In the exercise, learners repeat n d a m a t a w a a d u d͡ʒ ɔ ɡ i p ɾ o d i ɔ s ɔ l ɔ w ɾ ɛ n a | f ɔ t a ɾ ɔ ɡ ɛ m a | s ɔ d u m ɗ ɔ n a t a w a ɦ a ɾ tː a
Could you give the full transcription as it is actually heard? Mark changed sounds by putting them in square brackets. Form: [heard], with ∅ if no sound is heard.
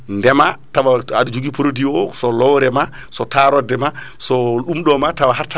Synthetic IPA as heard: n d [ɛ] m a t a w a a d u d͡ʒ [u] ɡ i p ɾ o d i ɔ s ɔ l ɔ w ɾ ɛ [m] a | [s] ɔ t a ɾ ɔ [d] ɛ m a | s ɔ [ɗ] u m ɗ ɔ [m] a t a w a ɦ a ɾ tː a